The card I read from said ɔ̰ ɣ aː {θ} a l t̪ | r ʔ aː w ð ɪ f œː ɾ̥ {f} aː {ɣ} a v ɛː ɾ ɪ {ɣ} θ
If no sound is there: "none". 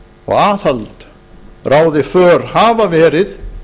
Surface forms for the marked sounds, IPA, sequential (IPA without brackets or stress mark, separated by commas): θ, h, v, none